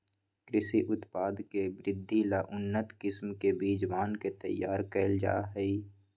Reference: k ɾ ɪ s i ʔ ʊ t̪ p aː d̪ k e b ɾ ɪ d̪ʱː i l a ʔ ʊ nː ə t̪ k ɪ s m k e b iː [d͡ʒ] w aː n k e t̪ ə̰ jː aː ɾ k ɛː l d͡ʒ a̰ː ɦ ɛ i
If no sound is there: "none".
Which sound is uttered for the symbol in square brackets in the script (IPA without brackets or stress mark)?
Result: d͡ʒ